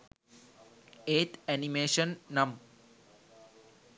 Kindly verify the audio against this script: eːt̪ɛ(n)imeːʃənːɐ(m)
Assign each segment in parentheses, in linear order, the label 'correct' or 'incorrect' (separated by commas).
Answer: correct, correct